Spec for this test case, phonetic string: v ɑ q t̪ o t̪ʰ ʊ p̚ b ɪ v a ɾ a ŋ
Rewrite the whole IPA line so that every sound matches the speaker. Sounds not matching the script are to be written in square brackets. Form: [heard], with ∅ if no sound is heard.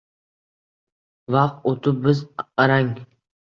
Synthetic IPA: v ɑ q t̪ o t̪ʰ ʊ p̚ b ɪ [z] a ɾ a ŋ